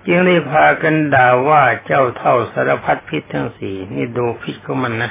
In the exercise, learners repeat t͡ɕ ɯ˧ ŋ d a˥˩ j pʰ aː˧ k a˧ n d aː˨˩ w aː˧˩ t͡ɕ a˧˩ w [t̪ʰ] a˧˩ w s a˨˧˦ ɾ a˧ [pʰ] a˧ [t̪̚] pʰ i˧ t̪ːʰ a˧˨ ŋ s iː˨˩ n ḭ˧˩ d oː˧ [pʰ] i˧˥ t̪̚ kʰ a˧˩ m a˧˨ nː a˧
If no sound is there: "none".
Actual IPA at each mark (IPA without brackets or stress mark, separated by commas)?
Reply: t̪ʰ, pʰ, t̪̚, pʰ